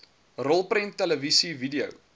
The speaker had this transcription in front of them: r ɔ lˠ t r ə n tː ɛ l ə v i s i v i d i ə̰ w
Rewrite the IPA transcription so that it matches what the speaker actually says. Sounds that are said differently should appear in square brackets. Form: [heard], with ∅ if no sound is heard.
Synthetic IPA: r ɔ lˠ [p] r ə n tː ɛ l ə v i s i v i d i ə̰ w